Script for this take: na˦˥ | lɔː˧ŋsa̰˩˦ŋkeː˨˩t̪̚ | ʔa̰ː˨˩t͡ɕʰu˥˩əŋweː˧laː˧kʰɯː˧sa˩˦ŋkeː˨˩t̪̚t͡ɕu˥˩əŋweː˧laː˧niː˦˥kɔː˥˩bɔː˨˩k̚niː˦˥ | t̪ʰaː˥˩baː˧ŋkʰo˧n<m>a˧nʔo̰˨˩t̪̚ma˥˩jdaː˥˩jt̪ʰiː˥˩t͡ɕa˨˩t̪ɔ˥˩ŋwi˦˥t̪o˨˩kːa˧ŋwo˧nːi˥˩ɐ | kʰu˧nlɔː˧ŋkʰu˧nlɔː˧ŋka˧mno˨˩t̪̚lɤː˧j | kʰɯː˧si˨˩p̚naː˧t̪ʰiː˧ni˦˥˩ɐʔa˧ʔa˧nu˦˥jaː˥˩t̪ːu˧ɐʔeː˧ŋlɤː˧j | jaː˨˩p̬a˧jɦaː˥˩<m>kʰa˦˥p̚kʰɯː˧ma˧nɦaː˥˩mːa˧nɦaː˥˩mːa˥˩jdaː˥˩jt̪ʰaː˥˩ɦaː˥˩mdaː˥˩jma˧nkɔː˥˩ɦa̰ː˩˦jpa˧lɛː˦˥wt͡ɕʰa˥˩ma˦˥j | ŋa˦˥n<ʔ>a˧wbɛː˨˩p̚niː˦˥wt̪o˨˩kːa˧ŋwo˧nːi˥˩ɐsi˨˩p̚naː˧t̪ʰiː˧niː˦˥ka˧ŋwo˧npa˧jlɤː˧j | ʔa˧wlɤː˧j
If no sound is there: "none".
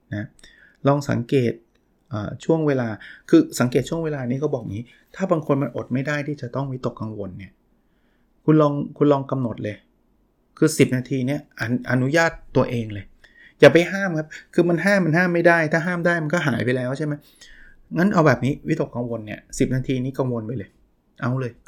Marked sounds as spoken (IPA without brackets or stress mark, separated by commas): m, m, ʔ